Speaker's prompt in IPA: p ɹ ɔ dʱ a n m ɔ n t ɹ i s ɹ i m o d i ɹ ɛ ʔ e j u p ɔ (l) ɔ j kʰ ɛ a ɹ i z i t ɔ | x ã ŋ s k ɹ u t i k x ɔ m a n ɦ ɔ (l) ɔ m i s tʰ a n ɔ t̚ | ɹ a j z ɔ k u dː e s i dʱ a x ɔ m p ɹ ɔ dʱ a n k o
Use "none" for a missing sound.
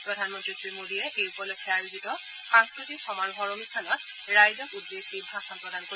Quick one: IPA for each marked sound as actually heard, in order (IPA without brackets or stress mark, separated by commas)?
l, ɹ